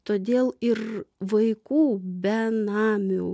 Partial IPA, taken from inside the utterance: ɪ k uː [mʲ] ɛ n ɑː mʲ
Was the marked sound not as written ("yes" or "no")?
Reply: yes